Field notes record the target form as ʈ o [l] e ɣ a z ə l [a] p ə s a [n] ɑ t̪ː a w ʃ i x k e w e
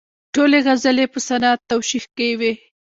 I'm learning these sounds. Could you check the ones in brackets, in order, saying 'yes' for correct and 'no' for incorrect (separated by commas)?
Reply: yes, no, yes